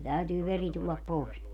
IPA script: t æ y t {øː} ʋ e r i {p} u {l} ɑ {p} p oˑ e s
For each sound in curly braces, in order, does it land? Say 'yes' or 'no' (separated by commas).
no, no, no, yes